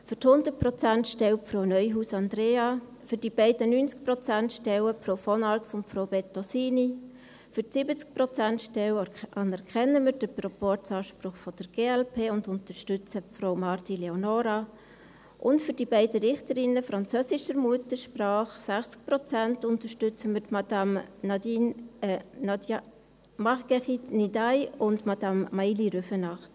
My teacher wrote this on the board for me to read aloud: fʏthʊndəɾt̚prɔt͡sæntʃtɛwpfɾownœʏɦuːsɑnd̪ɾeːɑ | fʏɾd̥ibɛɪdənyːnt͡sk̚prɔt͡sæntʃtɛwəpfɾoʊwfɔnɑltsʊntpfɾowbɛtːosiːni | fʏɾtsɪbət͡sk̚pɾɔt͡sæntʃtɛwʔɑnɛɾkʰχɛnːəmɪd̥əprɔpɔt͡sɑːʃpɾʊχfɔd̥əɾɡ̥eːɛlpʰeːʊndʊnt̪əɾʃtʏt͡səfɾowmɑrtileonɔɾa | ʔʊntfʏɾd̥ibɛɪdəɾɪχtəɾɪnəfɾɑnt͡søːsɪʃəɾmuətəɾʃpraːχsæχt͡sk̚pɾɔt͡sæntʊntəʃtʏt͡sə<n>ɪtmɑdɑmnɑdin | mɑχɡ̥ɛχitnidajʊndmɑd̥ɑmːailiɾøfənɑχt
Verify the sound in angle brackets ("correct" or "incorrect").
incorrect